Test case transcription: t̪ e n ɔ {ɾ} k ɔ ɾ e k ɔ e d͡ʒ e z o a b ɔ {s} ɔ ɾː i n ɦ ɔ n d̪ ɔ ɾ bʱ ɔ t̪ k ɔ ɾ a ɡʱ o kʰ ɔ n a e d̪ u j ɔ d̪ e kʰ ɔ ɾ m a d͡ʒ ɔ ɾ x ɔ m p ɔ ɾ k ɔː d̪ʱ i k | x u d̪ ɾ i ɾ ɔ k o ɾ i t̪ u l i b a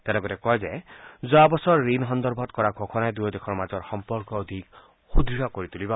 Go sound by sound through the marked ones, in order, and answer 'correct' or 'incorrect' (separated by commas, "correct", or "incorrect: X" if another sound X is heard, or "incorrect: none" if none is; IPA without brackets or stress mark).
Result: incorrect: none, correct